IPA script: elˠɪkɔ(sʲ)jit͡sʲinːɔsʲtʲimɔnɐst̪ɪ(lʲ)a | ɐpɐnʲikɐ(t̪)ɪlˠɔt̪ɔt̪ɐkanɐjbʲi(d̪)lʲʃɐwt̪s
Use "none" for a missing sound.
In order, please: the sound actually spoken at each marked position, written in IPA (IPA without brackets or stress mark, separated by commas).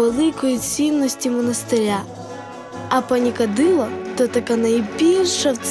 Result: none, ɾʲ, d̪, none